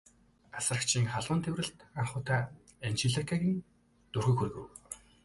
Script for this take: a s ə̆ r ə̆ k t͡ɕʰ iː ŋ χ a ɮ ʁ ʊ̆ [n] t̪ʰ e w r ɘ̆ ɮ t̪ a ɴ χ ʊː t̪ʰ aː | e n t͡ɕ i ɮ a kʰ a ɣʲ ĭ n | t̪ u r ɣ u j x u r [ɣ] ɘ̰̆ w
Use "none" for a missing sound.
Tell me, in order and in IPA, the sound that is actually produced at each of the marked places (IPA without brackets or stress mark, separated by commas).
n, ɣ